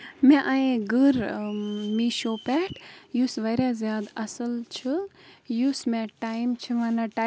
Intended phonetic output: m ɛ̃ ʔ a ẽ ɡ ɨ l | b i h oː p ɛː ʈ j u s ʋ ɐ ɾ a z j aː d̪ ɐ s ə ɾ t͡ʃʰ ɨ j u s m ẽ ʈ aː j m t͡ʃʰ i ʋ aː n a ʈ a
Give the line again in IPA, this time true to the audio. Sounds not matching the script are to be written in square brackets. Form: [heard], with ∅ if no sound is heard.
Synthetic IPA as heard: m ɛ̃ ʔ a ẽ ɡ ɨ [ɾ] | [m] i [ʃ] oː p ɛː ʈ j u s ʋ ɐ ɾ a z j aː d̪ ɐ s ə [l] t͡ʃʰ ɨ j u s m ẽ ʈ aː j m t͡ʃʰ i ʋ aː n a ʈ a